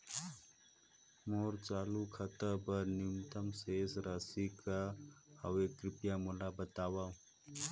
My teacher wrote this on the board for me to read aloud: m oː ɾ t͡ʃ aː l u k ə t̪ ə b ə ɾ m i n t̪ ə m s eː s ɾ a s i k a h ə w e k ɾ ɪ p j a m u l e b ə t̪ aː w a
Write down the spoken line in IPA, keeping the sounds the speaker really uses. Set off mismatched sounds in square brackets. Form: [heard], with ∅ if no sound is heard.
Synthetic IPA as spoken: m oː ɾ t͡ʃ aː l u [kʰ] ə t̪ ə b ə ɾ [n] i [m] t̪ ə m s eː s ɾ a s i k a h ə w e k ɾ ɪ p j a m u l [a] b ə t̪ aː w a